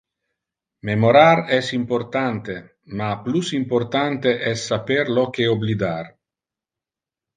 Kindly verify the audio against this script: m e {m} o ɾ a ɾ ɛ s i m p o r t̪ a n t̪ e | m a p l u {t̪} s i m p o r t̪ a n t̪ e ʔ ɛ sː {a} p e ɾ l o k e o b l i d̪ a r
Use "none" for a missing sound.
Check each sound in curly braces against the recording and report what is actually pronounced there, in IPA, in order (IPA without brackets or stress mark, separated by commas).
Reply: m, none, a